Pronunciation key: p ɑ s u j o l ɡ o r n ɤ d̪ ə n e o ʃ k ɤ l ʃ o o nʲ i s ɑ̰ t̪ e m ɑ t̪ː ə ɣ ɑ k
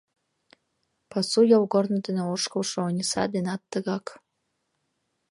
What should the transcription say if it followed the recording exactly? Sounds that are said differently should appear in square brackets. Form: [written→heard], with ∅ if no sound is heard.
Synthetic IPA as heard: p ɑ s u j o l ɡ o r n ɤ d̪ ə n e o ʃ k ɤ l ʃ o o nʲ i s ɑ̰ [t̪→d̪] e [m→n] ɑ t̪ː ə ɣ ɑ k